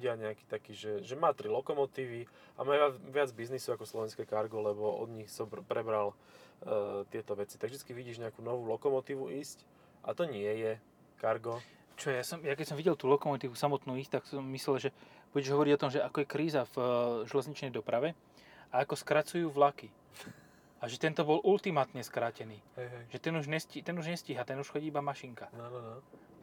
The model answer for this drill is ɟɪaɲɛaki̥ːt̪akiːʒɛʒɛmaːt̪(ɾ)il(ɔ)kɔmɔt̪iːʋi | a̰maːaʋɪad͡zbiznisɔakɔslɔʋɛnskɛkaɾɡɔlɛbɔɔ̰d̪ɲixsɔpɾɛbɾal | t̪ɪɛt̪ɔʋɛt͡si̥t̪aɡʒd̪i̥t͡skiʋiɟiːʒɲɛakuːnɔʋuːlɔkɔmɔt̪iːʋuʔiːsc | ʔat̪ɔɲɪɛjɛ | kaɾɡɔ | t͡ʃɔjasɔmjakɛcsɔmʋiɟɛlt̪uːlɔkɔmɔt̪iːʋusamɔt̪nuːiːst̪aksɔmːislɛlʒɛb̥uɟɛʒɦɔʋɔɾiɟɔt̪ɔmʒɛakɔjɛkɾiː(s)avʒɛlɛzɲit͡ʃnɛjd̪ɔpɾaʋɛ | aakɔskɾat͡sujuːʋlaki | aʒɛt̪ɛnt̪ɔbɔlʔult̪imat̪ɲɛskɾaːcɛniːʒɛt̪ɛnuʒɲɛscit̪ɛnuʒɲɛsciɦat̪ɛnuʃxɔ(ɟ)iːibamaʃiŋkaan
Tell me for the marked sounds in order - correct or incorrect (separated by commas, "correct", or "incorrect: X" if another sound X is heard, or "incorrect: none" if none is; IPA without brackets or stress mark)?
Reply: correct, correct, incorrect: z, correct